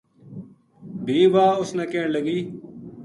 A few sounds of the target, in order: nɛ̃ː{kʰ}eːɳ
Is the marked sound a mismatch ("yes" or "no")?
yes